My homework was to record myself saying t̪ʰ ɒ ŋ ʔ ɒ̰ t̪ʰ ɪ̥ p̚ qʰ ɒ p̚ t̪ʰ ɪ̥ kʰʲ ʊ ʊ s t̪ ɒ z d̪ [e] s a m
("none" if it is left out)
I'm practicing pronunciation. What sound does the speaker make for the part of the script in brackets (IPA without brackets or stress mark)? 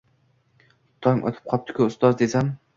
e